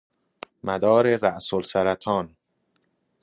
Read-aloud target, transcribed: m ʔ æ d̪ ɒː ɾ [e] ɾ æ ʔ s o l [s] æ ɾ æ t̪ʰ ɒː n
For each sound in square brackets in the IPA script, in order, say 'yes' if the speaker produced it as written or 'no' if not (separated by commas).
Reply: yes, yes